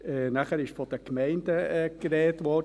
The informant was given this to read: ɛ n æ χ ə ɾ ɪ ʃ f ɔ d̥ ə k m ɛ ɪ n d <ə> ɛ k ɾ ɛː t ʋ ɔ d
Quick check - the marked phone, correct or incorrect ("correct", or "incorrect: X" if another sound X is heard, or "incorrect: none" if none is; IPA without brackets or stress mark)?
correct